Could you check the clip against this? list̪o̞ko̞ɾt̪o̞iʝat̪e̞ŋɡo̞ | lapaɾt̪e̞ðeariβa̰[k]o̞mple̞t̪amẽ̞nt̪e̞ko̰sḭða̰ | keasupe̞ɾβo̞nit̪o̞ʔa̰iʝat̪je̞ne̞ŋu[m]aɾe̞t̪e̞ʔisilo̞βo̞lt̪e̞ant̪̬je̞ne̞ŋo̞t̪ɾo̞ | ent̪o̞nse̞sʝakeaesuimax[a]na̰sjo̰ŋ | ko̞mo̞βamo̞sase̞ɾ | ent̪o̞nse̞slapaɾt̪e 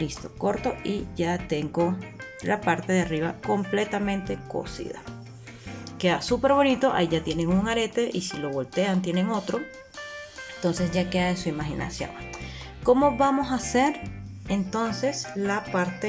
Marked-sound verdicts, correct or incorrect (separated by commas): correct, incorrect, incorrect